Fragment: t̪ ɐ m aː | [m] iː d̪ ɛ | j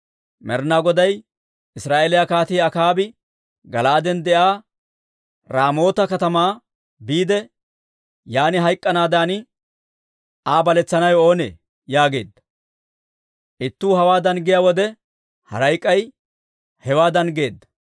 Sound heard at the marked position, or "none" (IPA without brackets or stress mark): b